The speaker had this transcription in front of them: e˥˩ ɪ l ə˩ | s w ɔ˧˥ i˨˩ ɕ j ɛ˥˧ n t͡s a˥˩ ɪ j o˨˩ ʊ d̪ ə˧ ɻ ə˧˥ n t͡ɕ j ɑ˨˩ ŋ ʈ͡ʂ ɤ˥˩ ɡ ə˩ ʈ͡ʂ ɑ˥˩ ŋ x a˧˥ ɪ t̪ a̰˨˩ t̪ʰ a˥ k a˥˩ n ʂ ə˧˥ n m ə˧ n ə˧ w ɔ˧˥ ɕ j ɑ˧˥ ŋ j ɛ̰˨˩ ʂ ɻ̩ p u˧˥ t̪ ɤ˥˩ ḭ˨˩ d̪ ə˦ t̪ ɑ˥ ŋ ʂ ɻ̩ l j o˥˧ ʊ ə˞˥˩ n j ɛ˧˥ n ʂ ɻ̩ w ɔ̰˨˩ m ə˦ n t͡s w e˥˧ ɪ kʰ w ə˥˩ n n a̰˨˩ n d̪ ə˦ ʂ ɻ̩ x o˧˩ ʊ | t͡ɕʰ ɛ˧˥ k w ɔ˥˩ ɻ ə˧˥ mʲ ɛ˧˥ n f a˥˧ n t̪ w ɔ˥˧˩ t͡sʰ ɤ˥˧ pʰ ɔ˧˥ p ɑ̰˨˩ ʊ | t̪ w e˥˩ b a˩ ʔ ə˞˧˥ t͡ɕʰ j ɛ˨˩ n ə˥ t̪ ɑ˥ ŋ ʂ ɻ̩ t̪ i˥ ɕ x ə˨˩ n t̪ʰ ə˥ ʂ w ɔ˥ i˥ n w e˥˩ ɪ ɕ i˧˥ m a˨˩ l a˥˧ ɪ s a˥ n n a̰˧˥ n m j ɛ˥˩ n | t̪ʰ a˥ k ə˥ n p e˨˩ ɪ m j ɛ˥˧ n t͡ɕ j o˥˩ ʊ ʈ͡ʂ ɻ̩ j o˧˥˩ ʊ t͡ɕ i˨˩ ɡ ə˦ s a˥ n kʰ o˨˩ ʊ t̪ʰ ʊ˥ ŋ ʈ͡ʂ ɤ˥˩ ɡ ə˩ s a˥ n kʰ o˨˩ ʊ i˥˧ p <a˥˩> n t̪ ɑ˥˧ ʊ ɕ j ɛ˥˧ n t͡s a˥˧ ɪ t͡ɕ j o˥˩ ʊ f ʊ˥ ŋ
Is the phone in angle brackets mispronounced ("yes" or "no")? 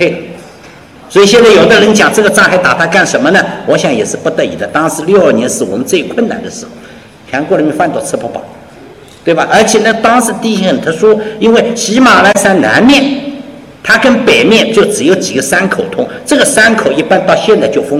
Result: yes